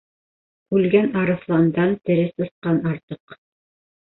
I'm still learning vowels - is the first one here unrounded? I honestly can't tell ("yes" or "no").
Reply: no